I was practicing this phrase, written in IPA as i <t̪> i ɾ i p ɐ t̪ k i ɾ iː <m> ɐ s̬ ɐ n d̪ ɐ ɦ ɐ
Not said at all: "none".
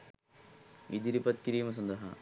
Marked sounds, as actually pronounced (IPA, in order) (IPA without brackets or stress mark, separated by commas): d̪, m